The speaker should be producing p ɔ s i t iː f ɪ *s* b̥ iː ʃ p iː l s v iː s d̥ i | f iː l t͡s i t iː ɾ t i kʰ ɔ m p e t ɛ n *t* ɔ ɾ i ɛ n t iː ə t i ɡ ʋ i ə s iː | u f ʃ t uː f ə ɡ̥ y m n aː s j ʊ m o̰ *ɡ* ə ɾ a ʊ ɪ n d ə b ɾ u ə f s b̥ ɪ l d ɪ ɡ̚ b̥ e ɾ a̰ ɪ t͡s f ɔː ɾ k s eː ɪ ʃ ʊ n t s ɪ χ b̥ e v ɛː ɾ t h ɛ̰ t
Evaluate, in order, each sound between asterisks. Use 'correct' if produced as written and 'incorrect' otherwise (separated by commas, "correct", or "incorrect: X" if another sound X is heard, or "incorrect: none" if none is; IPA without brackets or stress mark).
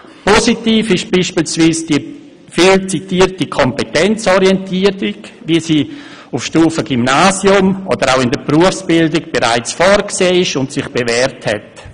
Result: incorrect: ʃ, incorrect: t͡s, incorrect: d